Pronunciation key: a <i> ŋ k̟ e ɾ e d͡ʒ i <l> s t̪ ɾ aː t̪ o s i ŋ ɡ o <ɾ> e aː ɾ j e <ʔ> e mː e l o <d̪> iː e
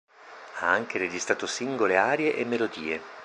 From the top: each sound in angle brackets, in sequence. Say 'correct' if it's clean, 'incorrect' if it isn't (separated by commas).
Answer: incorrect, incorrect, incorrect, correct, correct